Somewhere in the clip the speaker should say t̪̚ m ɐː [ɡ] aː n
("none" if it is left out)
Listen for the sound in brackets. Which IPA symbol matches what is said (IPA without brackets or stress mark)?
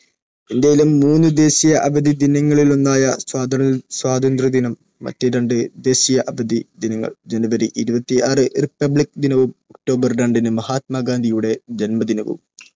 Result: ɡ